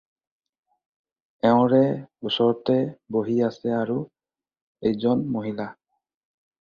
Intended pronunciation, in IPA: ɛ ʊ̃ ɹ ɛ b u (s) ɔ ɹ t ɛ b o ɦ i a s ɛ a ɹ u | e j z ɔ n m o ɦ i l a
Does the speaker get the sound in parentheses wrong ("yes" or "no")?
no